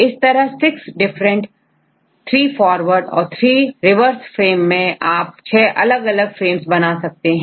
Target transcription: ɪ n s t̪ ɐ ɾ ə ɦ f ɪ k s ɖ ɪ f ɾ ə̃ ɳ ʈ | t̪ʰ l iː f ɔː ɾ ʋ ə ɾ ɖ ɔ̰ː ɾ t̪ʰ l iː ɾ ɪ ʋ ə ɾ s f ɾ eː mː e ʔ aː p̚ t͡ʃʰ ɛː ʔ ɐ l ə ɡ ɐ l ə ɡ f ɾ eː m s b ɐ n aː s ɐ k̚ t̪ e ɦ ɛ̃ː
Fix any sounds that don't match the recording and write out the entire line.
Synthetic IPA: ɪ s t̪ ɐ ɾ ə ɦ s ɪ k s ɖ ɪ f ɾ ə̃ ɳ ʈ | t̪ʰ ɾ iː f ɔː ɾ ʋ ə ɾ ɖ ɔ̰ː ɾ t̪ʰ ɾ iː ɾ ɪ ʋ ə ɾ s f ɾ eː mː ẽ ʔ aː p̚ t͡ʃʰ ɛː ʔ ɐ l ə ɡ ɐ l ə ɡ f ɾ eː m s b ɐ n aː s ɐ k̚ t̪ e ɦ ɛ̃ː